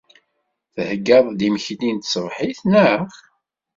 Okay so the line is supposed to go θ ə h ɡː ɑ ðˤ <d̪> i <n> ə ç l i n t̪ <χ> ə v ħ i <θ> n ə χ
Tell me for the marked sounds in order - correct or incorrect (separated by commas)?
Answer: correct, incorrect, incorrect, correct